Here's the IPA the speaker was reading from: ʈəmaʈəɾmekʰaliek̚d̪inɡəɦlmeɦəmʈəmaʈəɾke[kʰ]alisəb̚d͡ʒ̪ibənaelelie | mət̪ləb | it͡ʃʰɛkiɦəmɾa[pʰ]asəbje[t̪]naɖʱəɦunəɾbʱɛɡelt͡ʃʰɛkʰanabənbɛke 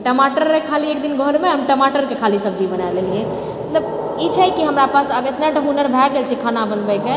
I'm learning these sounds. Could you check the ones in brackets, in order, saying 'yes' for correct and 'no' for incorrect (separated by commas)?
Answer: yes, no, yes